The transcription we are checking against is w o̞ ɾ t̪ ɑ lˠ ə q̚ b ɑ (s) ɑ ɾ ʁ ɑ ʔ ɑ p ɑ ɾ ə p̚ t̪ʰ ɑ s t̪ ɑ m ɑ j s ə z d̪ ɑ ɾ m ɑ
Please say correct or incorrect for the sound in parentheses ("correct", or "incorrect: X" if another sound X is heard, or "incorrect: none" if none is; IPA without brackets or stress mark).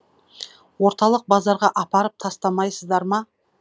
incorrect: z